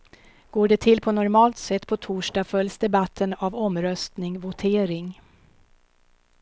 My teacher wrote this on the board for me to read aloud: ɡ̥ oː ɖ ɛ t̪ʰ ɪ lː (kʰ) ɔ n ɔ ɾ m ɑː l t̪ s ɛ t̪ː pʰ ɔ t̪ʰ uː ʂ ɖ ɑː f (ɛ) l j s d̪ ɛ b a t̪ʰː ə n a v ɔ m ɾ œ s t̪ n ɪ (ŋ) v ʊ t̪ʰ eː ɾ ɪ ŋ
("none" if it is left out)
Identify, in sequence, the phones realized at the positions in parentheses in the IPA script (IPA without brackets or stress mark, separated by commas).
pʰ, œ, ŋ